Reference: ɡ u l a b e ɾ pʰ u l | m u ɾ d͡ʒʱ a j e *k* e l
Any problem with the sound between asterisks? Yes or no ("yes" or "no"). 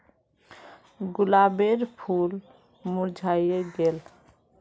yes